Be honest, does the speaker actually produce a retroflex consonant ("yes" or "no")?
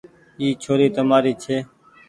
no